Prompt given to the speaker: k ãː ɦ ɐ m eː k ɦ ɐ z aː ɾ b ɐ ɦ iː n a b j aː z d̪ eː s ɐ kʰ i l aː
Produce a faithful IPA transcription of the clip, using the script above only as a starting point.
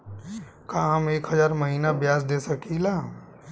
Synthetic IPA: k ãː ɦ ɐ m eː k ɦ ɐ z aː ɾ m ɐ ɦ iː n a b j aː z d̪ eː s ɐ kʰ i l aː